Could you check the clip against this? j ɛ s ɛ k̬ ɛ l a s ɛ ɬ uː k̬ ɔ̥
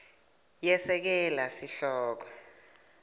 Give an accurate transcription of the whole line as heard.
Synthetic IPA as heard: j ɛ s ɛ k̬ ɛ l a s i ɬ ɔː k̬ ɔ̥